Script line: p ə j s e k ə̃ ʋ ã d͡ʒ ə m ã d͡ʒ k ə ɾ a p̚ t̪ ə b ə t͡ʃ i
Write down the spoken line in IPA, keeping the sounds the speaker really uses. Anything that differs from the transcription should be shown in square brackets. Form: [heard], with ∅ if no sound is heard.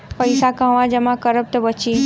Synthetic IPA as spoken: p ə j s [a] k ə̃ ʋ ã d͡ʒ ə m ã [∅] k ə ɾ [ə] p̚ t̪ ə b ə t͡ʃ i